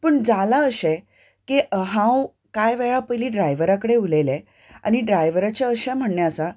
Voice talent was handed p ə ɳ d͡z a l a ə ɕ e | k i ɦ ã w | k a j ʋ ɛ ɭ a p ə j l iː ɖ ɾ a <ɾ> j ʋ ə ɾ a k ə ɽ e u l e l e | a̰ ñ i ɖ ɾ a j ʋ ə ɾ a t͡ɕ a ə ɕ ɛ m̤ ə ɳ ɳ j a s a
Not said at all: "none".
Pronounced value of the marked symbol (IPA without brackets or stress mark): none